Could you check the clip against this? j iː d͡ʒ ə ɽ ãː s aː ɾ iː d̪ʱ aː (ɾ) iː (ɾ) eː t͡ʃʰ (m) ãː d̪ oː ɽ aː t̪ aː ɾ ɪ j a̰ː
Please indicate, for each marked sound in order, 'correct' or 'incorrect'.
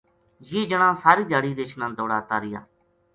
incorrect, correct, incorrect

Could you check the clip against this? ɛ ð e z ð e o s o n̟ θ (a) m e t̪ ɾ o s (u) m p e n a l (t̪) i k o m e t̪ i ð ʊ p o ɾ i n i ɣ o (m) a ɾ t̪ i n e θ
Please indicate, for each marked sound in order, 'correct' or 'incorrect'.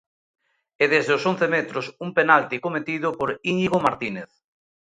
incorrect, correct, correct, correct

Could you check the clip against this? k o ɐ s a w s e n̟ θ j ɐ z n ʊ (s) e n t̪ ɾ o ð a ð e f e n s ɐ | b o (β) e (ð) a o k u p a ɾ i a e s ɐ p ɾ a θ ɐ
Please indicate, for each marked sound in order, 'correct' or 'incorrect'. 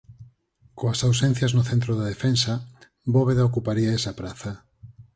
incorrect, correct, correct

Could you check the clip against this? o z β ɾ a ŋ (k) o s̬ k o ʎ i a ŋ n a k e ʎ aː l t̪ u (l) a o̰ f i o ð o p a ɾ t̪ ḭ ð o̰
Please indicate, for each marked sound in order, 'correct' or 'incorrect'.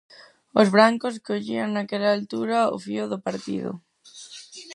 correct, incorrect

